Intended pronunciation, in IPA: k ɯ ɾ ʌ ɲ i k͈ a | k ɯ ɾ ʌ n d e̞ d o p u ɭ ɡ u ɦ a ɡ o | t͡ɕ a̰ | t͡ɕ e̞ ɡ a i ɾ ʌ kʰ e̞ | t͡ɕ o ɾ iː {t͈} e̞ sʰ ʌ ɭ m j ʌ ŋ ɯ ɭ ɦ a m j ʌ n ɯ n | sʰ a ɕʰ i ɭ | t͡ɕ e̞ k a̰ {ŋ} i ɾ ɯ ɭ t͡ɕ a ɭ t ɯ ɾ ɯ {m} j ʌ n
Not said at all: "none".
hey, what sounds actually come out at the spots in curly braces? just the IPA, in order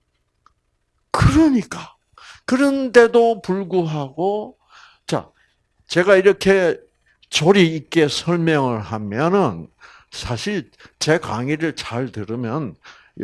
k͈, ŋ, m

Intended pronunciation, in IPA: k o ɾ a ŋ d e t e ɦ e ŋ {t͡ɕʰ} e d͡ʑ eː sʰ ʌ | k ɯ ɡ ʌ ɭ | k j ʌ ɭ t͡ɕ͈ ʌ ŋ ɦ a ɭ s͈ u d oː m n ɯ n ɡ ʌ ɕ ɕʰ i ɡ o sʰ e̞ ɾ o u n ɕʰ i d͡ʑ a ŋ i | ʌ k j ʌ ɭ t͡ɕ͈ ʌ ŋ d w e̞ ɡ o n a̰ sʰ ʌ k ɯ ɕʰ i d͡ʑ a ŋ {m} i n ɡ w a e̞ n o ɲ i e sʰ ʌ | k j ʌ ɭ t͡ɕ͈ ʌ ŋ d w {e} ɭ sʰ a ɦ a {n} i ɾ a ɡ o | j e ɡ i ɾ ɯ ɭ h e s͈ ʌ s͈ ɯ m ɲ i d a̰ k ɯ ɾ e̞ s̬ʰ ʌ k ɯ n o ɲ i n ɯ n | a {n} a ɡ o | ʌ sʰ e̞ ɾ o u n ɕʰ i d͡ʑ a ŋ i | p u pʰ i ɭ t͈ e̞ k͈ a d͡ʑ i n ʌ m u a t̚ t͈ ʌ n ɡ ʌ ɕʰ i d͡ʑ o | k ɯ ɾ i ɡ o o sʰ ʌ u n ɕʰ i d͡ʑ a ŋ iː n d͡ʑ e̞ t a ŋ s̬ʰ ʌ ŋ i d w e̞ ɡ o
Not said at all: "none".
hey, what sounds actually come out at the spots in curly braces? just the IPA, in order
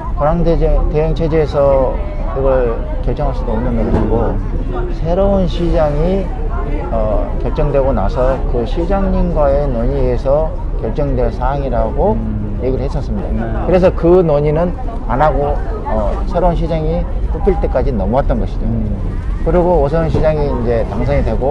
t͡ɕʰ, ɲ, e, ŋ, n

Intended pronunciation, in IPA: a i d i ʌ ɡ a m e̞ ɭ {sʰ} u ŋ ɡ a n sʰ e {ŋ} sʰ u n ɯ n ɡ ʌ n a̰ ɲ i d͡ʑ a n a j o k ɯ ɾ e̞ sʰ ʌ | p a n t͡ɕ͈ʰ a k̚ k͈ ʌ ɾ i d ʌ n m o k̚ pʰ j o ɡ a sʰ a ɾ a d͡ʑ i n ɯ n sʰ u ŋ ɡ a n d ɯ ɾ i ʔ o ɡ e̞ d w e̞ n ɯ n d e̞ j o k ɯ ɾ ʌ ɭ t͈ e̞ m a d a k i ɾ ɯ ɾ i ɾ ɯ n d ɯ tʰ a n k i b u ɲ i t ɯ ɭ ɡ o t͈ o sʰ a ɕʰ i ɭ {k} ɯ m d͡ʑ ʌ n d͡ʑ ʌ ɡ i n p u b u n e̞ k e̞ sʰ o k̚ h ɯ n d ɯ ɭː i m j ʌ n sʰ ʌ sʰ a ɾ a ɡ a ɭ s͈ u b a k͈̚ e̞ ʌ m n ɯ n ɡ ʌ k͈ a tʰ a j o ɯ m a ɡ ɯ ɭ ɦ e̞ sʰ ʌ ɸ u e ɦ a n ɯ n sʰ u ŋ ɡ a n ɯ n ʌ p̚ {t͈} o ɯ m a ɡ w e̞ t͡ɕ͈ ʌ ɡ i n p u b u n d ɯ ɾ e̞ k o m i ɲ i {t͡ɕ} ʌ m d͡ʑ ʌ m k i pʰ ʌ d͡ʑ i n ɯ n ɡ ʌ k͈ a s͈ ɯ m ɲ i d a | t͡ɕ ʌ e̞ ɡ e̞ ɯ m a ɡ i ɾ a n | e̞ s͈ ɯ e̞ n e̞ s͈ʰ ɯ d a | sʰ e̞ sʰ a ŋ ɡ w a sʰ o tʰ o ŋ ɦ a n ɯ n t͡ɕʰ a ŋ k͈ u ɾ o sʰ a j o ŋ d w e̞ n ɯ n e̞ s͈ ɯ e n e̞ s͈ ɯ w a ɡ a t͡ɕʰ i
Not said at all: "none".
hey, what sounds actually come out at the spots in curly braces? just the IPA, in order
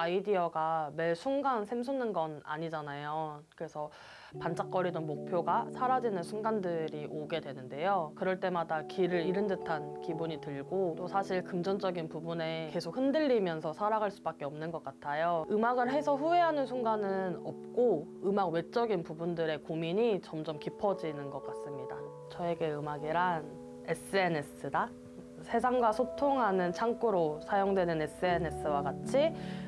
sʰ, m, k, k͈, t͡ɕ

